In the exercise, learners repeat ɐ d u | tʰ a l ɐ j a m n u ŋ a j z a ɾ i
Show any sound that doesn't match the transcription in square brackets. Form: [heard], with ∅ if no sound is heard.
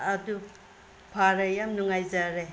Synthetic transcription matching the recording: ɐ d u | [pʰ] a [ɾ] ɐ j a m n u ŋ a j z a ɾ [e]